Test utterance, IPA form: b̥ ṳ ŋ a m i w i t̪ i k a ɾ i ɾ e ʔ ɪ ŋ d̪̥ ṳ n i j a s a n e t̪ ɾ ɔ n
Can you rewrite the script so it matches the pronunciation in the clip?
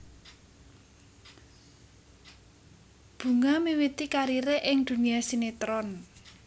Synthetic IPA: b̥ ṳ ŋ a m i w i t̪ i k a ɾ i ɾ e ʔ ɪ ŋ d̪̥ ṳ n i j a s i n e t̪ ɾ ɔ n